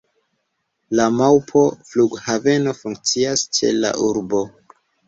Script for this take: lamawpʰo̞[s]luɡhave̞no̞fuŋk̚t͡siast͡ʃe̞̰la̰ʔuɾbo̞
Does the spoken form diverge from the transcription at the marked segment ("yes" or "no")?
yes